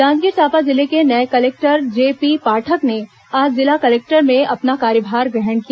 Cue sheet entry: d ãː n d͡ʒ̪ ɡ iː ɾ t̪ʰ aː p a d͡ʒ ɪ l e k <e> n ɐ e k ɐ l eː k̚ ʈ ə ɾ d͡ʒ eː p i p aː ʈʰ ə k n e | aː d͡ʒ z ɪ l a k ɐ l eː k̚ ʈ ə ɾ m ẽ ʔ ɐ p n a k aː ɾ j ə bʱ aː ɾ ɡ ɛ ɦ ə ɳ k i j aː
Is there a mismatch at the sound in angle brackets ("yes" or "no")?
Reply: no